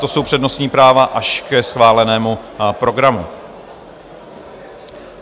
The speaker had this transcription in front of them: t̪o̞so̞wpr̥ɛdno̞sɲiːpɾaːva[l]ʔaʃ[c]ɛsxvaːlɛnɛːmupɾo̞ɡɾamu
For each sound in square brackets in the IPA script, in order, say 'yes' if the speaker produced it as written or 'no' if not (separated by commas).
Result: no, no